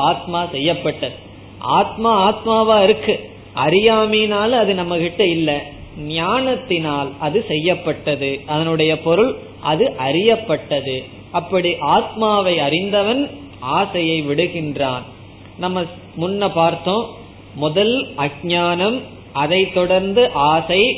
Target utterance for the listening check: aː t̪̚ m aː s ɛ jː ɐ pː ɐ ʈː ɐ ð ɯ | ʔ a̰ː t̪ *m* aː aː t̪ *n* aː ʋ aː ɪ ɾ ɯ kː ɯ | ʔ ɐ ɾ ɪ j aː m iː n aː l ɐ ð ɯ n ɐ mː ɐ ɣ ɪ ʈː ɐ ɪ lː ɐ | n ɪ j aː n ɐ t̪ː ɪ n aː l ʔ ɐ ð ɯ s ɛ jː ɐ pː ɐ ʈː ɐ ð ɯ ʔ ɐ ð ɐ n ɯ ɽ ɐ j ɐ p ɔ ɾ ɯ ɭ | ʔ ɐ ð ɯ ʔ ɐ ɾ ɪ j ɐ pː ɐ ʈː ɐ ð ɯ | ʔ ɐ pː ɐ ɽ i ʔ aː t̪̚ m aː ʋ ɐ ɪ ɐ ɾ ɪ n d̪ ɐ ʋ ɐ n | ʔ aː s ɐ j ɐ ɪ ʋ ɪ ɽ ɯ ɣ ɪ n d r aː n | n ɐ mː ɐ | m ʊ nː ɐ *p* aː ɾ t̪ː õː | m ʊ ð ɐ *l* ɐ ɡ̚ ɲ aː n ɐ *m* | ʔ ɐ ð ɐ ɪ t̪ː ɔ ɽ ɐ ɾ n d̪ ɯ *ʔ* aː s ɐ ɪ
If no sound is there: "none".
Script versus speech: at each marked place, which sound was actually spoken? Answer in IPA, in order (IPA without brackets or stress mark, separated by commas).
m, m, p, l, m, ʔ